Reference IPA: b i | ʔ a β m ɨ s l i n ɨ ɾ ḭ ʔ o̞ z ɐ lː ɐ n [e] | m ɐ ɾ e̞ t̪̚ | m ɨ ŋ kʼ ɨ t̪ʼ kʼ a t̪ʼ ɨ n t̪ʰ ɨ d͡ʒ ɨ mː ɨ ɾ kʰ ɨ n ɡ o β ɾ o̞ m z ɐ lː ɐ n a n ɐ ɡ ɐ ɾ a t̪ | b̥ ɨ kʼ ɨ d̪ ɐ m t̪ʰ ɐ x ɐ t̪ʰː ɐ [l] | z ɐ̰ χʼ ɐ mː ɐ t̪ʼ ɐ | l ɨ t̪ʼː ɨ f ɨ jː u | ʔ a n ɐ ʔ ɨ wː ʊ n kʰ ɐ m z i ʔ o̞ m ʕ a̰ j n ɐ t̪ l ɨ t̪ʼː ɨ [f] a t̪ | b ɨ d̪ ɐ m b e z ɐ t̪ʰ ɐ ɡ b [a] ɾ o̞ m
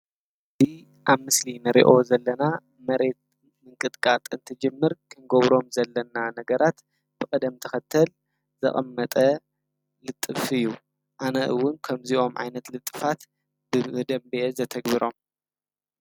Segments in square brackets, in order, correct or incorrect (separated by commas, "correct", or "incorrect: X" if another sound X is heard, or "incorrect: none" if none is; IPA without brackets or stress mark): incorrect: a, correct, correct, incorrect: i